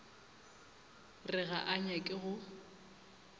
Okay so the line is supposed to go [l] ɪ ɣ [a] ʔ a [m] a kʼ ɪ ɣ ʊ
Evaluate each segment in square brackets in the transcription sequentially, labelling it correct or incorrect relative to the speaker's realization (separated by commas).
incorrect, correct, incorrect